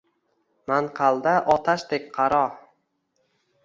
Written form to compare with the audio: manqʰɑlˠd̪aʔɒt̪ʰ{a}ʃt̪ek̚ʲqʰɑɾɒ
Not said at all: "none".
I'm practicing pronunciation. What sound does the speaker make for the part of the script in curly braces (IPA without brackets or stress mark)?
a